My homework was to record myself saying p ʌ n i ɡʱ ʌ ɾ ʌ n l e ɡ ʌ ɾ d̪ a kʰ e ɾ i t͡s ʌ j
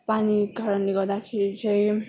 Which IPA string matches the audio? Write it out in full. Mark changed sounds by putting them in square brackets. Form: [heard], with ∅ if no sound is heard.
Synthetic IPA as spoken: p [a] n i ɡʱ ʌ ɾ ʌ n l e ɡ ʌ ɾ d̪ a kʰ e ɾ i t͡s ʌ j